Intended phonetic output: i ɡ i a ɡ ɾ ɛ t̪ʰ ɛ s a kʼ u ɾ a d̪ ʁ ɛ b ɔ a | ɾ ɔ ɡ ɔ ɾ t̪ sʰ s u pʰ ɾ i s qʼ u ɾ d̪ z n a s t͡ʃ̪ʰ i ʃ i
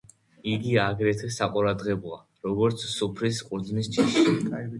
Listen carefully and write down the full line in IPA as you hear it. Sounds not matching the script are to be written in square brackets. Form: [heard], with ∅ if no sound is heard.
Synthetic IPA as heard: i ɡ i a ɡ ɾ ɛ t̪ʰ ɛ s a [qʼ] u ɾ a d̪ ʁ ɛ b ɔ a | ɾ ɔ ɡ ɔ ɾ t̪ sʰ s u pʰ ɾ i s qʼ u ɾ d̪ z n [i] s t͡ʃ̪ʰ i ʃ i